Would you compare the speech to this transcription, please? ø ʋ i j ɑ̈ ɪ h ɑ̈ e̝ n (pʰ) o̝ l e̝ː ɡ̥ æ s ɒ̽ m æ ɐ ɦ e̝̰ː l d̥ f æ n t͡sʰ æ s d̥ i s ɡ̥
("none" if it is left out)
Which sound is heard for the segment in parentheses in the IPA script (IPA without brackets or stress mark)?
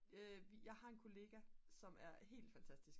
kʰ